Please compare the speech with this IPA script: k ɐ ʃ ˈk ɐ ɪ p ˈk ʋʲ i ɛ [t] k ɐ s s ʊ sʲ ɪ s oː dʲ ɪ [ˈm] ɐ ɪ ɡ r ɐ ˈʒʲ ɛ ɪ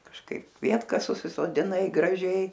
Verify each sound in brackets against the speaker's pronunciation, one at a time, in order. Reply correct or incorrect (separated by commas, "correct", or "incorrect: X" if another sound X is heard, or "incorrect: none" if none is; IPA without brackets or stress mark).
correct, incorrect: n